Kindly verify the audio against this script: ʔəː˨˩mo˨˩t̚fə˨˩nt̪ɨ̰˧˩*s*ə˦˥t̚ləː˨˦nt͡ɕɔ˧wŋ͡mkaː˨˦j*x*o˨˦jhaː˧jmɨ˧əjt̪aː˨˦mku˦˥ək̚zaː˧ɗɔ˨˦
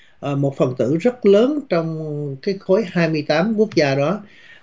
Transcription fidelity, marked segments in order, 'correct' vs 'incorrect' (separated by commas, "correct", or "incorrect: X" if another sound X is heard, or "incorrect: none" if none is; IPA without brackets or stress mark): incorrect: z, correct